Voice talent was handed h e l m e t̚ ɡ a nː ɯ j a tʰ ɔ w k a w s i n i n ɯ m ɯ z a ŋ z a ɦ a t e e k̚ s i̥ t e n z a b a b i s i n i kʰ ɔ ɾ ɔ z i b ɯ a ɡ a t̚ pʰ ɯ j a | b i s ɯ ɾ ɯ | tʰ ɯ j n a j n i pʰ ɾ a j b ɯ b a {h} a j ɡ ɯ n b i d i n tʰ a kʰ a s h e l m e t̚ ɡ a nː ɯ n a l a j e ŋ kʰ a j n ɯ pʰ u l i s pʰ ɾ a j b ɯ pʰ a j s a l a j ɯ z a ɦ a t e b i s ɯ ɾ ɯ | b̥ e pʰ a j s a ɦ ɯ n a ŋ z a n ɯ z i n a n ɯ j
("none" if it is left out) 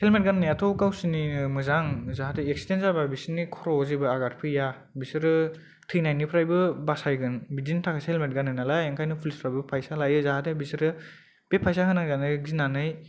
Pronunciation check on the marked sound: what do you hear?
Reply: s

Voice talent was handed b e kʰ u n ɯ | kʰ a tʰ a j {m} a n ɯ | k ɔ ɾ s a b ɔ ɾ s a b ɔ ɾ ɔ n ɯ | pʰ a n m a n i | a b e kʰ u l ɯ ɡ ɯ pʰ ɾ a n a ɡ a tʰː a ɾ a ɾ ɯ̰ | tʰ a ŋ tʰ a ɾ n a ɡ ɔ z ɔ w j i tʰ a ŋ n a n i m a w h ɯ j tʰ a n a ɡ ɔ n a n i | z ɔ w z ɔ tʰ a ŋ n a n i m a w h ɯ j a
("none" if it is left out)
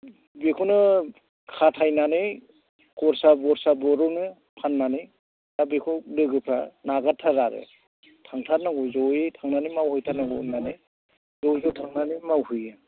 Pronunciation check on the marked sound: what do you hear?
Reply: n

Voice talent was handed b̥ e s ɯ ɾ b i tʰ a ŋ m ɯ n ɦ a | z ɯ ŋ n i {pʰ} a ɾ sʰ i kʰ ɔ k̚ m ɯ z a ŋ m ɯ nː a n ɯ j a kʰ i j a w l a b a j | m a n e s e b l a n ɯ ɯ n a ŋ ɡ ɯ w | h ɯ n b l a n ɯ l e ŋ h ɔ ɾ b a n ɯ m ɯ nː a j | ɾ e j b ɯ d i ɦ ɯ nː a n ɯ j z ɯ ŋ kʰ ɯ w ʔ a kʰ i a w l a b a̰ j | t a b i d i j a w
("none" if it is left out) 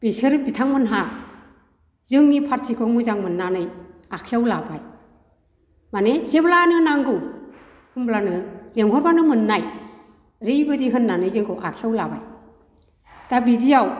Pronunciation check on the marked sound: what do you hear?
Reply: pʰ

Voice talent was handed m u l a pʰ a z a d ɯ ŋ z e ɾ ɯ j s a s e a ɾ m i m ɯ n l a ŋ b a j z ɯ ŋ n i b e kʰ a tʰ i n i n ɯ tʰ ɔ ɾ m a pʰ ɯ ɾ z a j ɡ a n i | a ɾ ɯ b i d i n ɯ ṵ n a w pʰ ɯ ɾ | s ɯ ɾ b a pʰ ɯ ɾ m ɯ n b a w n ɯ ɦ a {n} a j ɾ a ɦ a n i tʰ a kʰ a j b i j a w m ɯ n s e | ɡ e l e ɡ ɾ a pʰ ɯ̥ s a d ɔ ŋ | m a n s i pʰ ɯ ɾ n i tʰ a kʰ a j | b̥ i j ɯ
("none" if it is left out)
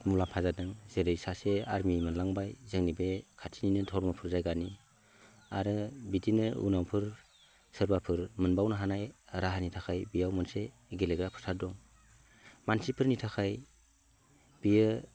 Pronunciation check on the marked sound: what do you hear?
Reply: n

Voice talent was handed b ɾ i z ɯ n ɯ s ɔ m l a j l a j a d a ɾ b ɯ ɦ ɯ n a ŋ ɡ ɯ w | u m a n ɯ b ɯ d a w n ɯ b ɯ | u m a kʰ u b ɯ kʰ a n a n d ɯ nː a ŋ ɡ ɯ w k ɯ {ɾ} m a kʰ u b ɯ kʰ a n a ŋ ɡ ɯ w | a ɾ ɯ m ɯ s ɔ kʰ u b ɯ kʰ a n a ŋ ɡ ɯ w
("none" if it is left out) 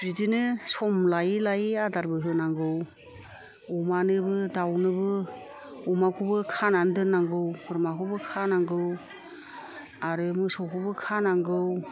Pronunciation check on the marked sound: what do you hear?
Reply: ɾ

